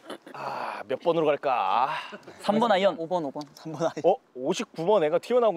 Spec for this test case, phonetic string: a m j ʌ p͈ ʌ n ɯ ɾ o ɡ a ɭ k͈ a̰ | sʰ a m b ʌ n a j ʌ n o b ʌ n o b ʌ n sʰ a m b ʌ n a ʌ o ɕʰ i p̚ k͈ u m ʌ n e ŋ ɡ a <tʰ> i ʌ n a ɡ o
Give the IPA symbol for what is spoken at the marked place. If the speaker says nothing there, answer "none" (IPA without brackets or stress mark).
tʰ